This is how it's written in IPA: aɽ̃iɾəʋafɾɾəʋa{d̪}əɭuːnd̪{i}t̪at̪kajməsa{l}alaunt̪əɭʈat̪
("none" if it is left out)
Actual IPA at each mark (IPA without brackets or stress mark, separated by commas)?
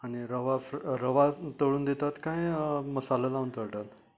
t̪, e, l